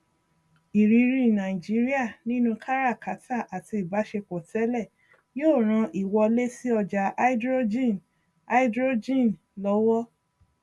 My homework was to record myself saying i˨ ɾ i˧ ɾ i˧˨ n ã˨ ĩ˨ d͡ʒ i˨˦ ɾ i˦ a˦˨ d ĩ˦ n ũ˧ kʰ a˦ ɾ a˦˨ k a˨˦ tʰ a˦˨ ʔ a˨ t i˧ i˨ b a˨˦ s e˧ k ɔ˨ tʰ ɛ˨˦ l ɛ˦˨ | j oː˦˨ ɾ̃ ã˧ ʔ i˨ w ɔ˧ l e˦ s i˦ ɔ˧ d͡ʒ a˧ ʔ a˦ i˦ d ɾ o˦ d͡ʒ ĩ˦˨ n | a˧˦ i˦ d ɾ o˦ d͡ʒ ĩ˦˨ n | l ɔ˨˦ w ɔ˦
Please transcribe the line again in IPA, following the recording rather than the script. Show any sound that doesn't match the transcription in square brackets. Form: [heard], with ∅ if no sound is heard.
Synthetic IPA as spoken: i˨ ɾ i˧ ɾ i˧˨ n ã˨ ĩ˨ d͡ʒ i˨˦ ɾ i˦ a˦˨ [n] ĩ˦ n ũ˧ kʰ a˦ ɾ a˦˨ k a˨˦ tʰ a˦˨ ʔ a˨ t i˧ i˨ b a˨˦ [ʃ] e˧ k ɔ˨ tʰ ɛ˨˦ l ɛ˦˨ | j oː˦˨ ɾ̃ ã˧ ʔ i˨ w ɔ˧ l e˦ s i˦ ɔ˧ d͡ʒ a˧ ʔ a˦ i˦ d ɾ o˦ d͡ʒ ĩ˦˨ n | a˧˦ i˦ d ɾ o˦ d͡ʒ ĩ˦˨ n | l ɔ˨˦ w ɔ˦